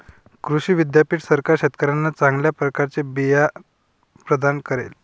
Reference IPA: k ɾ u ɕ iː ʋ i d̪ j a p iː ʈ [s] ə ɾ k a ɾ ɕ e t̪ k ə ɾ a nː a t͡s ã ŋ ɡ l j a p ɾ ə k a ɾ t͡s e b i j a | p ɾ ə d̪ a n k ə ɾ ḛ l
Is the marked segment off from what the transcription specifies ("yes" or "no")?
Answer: no